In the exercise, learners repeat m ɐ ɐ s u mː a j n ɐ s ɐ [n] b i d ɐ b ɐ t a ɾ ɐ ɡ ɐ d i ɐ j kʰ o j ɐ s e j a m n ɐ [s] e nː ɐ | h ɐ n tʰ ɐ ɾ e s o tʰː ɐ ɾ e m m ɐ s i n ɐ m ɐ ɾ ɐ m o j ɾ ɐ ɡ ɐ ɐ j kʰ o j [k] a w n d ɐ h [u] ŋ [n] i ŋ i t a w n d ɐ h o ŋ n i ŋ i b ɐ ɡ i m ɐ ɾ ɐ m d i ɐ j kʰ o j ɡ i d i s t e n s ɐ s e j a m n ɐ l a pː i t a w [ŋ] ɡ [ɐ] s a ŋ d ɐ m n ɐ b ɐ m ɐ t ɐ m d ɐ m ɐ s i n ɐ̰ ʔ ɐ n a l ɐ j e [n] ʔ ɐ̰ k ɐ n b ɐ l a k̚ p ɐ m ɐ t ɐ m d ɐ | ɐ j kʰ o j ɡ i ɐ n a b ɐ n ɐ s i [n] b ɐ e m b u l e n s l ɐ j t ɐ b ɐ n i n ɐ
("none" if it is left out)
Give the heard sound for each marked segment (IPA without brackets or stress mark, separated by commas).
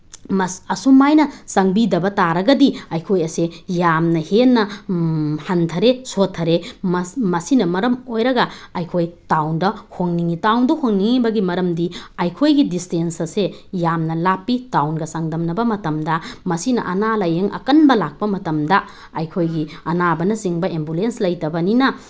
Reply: ŋ, h, t, o, n, n, ɐ, ŋ, ŋ